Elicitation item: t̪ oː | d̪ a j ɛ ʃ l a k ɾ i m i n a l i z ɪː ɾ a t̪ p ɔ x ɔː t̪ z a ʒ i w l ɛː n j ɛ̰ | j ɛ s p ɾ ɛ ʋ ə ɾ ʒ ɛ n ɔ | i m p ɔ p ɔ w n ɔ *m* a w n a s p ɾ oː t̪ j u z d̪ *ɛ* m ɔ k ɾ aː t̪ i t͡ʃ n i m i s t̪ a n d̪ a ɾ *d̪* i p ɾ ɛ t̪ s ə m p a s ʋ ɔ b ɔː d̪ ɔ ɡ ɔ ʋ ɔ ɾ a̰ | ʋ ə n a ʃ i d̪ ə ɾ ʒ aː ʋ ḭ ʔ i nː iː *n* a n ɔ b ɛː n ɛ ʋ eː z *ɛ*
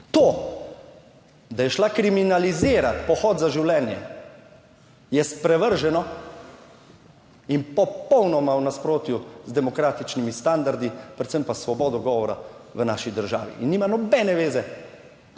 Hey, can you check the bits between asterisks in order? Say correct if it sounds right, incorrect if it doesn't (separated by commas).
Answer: correct, correct, correct, incorrect, correct